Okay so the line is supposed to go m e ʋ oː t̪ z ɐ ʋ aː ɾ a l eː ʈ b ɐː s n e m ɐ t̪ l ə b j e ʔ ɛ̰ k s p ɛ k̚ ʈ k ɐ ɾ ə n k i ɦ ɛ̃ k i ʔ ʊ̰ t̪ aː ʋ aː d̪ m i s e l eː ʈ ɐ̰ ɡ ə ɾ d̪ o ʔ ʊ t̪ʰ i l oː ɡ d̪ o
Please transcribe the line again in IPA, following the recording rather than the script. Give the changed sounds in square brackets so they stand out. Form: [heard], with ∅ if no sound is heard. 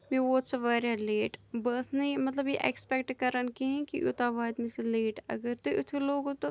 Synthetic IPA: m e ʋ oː t̪ [s] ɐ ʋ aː ɾ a l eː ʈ b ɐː s n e m ɐ t̪ l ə b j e ʔ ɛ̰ k s p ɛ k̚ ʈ k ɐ ɾ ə n k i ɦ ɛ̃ k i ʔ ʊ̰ t̪ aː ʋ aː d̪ m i s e l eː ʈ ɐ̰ ɡ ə ɾ [t̪] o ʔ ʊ t̪ʰ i l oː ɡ [t̪] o